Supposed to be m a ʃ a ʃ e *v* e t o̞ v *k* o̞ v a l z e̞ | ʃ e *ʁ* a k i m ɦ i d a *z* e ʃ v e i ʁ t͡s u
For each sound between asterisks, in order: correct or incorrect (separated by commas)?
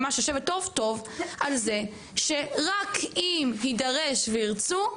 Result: correct, incorrect, correct, incorrect